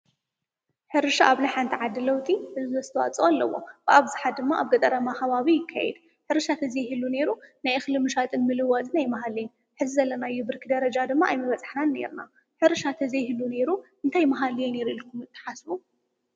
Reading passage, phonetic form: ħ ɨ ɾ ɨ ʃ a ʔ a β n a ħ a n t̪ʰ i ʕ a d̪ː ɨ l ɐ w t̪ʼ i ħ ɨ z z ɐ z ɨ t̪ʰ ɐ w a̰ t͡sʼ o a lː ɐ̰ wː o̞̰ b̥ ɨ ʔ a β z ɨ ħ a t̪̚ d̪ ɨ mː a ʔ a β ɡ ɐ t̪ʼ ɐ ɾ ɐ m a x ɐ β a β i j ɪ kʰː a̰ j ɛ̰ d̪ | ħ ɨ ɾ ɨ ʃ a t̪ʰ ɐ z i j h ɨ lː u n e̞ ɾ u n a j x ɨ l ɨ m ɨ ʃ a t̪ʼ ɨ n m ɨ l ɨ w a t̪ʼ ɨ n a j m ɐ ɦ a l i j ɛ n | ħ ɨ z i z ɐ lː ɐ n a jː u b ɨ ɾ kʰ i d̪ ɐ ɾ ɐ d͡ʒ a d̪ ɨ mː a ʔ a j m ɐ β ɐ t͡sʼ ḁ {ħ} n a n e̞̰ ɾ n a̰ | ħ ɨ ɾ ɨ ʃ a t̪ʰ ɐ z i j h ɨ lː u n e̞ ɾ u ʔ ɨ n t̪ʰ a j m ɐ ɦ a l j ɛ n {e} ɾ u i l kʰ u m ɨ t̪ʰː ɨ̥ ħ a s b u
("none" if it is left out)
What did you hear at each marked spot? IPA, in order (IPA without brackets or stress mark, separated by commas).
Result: ħ, e